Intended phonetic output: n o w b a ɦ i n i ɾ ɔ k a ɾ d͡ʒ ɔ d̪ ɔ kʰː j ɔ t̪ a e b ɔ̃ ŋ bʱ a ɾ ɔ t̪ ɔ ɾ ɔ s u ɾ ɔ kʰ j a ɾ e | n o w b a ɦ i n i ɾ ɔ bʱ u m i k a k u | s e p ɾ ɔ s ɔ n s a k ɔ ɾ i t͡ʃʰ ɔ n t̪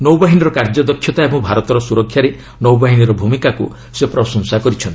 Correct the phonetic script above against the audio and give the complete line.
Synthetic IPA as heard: n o w b a ɦ i n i ɾ ɔ k a ɾ d͡ʒ ɔ d̪ ɔ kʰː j ɔ t̪ a e b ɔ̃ ŋ bʱ a ɾ ɔ t̪ ɔ ɾ ɔ s u ɾ ɔ kʰ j a ɾ e | n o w b a ɦ i n i ɾ ɔ bʱ u m i k a k u | s e p ɾ ɔ s ɔ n s a k ɔ ɾ i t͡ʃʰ ɔ n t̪